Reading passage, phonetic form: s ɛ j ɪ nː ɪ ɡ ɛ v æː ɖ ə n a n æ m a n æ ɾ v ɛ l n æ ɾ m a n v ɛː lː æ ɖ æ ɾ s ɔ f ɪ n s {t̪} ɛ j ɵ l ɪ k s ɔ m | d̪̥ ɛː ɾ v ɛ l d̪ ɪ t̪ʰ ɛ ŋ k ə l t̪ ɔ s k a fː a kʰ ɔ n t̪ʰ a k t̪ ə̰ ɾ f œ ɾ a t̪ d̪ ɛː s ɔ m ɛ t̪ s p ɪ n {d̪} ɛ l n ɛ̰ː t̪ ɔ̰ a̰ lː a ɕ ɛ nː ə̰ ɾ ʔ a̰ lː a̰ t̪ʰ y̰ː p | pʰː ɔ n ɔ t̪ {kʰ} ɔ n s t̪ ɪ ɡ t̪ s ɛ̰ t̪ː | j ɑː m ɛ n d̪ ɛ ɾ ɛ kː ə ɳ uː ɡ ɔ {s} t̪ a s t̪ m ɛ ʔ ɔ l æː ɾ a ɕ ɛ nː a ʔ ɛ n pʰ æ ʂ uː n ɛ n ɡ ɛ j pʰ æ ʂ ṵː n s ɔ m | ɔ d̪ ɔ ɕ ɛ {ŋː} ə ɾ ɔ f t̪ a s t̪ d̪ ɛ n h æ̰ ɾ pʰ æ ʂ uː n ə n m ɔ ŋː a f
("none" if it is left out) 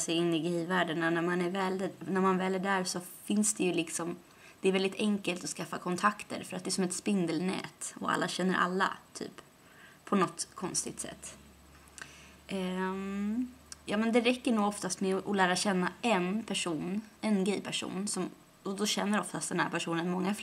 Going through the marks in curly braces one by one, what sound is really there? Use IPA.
d̪, d̪, kʰ, f, nː

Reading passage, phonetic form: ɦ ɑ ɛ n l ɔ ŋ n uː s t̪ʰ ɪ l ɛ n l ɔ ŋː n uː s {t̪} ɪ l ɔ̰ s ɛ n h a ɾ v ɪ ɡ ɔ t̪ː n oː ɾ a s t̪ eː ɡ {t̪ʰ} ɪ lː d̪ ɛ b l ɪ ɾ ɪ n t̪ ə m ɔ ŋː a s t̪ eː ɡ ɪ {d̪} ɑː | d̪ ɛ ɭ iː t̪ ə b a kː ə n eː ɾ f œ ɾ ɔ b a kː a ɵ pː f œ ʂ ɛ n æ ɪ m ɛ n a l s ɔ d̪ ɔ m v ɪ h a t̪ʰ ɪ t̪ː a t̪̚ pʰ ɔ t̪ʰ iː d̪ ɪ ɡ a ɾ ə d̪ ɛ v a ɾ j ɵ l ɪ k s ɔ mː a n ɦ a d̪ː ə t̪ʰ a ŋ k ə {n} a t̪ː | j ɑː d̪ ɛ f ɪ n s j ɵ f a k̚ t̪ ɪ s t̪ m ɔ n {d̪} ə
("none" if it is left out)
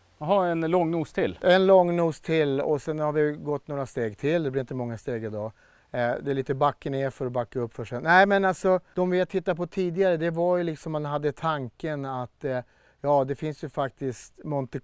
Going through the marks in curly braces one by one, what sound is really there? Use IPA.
t̪ʰ, t̪ʰ, d̪, n, t̪

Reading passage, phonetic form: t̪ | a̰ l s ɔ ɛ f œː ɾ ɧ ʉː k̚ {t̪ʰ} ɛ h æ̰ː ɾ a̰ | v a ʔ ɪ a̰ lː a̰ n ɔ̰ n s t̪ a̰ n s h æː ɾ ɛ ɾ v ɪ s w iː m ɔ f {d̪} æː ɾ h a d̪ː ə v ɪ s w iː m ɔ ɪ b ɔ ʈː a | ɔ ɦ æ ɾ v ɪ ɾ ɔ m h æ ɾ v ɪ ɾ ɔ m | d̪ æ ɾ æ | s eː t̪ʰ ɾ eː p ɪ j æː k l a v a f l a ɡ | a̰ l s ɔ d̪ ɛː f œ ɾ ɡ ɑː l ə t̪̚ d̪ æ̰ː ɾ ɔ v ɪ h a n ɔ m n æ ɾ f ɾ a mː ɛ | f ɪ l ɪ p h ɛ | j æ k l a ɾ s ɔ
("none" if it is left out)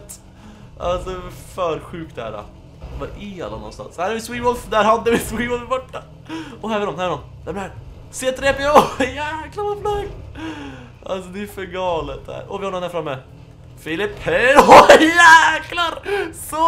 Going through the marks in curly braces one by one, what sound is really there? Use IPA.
t̪, d̪

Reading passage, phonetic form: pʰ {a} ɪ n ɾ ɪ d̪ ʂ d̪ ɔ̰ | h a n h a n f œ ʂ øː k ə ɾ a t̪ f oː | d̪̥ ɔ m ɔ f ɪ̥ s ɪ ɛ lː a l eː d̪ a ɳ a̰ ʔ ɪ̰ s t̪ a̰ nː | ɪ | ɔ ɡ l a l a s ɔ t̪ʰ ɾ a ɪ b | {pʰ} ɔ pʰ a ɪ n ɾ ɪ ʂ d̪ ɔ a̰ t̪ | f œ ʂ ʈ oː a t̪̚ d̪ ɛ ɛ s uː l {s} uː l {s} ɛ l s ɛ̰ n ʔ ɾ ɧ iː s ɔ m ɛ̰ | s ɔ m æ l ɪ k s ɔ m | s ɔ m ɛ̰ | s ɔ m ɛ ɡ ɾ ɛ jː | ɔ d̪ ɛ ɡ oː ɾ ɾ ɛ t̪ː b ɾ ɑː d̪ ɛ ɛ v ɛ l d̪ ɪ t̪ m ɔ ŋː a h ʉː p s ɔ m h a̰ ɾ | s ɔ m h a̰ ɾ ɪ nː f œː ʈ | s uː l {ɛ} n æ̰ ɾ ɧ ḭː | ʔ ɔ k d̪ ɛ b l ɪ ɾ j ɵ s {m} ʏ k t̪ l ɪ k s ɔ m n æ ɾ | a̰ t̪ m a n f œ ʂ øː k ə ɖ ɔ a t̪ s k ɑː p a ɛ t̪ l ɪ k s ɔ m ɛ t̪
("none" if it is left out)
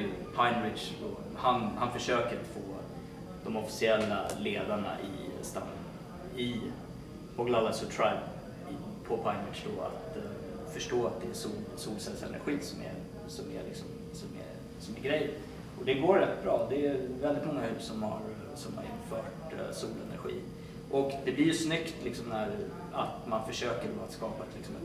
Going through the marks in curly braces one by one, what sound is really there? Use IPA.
a, pʰ, s, s, ɛ, n

